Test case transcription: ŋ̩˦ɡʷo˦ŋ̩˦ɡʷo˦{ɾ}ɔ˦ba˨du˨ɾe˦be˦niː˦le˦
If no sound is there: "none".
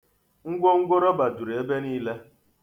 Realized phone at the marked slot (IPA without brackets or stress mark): ɾ